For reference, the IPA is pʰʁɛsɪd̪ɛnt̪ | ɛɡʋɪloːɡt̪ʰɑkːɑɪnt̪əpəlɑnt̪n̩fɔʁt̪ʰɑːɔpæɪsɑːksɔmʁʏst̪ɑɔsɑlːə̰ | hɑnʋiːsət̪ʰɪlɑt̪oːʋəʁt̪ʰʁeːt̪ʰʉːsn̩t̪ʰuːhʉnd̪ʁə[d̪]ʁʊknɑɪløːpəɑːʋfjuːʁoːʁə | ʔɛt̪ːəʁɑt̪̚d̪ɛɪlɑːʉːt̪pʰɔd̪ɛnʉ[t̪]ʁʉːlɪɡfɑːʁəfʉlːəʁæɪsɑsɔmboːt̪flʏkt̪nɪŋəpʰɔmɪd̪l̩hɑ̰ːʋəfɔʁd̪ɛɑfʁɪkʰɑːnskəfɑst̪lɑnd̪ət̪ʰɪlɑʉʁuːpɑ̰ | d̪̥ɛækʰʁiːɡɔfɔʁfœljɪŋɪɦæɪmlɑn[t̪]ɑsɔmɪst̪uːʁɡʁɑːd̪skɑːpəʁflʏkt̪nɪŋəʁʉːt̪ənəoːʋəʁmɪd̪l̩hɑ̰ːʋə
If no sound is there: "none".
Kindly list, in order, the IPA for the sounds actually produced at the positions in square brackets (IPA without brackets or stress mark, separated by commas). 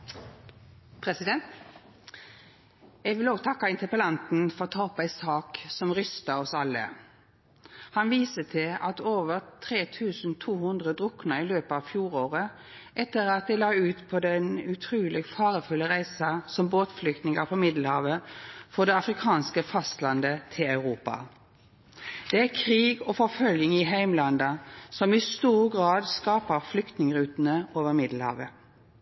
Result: d̪, t̪ʰ, d̪